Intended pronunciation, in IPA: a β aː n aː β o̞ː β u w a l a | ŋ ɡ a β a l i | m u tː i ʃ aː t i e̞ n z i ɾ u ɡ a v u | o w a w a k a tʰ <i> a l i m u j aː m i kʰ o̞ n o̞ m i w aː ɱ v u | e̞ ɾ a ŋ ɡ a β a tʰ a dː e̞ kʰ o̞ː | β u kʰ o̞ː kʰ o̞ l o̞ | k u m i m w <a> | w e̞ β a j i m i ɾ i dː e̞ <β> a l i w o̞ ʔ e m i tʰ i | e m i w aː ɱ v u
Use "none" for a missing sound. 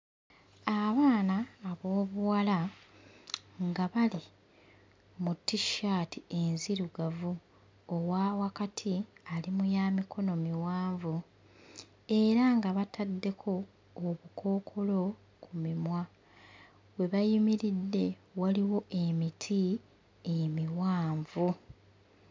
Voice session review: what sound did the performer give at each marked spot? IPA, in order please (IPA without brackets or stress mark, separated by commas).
i, a, w